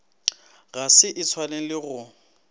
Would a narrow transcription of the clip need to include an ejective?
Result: no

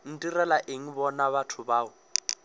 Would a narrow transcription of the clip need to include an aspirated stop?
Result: yes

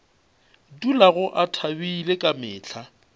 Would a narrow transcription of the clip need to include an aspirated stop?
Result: yes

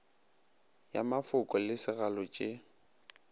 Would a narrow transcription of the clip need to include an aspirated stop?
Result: no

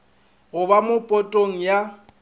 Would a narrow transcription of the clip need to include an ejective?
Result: yes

